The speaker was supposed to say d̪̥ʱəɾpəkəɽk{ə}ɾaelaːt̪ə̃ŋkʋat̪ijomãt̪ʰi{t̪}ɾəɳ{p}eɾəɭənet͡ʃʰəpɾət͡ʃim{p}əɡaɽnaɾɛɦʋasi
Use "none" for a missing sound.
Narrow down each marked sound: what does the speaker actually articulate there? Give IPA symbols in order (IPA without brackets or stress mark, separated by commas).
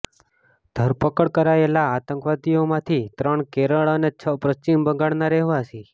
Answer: ə, t̪, k, b